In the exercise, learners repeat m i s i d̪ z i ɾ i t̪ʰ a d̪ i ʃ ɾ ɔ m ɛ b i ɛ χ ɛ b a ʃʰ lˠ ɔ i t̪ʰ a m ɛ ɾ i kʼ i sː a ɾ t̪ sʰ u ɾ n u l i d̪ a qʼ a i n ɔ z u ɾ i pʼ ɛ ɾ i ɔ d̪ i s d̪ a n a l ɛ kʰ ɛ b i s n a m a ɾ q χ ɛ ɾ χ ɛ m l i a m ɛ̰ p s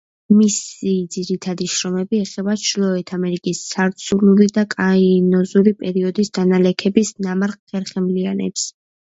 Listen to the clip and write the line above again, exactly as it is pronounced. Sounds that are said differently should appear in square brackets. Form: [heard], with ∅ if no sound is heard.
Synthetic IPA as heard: m i s i d̪ z i ɾ i t̪ʰ a d̪ i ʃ ɾ ɔ m ɛ b i ɛ χ ɛ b a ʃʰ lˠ ɔ [ɛ] t̪ʰ a m ɛ ɾ i kʼ i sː a ɾ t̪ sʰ u ɾ n u l i d̪ a [kʼ] a i n ɔ z u ɾ i pʼ ɛ ɾ i ɔ d̪ i s d̪ a n a l ɛ kʰ ɛ b i s n a m a ɾ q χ ɛ ɾ χ ɛ m l i a [n] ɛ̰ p s